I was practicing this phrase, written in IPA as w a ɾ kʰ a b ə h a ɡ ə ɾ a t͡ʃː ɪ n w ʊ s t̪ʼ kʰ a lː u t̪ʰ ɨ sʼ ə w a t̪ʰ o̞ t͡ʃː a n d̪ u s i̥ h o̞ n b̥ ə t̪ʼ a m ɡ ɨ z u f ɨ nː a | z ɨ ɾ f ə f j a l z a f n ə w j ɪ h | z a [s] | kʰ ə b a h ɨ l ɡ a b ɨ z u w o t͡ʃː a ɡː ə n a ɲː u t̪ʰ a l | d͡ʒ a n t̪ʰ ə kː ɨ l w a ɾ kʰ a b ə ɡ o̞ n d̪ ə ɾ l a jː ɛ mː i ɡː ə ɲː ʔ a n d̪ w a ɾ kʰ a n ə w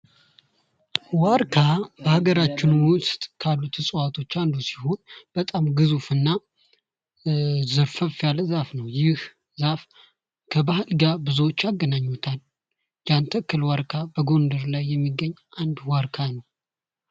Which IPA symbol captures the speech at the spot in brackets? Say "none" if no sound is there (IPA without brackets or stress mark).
f